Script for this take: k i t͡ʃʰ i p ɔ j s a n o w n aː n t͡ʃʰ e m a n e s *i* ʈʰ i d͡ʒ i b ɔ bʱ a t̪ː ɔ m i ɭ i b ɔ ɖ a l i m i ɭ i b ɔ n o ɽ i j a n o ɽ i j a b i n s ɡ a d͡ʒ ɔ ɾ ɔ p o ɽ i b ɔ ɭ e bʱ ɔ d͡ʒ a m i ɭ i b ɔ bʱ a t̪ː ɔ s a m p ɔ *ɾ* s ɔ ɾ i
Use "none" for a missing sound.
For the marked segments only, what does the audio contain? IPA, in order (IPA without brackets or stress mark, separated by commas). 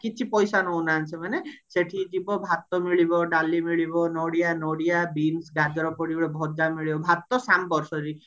e, ɾ